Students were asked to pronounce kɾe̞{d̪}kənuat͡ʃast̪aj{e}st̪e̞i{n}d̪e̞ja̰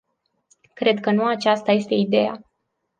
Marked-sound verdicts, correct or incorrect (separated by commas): correct, correct, incorrect